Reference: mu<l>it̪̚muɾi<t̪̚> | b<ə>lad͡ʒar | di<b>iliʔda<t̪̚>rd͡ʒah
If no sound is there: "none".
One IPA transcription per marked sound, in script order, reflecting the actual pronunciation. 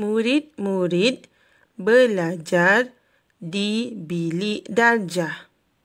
ɾ, t̪̚, ə, b, none

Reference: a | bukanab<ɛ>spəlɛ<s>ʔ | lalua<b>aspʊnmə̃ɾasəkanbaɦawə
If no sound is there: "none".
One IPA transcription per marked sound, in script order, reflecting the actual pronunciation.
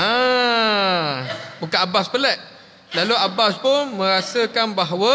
a, none, b

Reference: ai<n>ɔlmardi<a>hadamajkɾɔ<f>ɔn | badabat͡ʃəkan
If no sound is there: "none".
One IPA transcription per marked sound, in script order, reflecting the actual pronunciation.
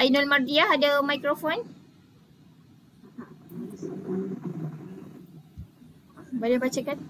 n, a, f

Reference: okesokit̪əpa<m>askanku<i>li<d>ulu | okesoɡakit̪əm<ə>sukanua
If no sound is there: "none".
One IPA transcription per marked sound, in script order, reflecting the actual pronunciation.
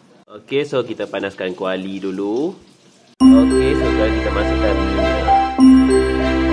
n, a, d, a

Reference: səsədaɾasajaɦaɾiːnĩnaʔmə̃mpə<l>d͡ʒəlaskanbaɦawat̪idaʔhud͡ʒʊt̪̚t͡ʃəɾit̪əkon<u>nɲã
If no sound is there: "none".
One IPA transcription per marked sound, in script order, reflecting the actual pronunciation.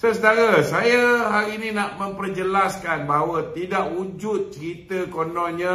r, ɔ

